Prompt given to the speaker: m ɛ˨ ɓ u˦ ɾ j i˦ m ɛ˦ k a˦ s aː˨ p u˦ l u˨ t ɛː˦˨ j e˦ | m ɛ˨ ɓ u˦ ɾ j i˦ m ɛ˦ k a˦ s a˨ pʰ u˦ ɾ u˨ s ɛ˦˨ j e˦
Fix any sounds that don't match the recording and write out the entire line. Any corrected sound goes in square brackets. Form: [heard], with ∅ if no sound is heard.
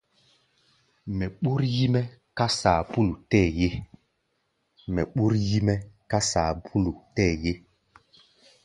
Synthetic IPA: m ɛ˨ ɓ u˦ ɾ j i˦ m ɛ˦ k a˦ s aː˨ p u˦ l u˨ t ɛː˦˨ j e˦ | m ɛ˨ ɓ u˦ ɾ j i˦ m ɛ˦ k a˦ s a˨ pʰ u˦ [l] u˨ [t] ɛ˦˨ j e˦